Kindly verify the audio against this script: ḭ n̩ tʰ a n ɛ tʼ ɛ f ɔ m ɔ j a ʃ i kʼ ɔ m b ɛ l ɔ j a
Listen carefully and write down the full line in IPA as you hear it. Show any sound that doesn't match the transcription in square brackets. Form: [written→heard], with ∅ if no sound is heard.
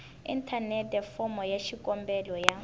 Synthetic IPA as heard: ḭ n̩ tʰ a n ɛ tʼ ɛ f ɔ m ɔ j a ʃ i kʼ ɔ m b ɛ l ɔ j a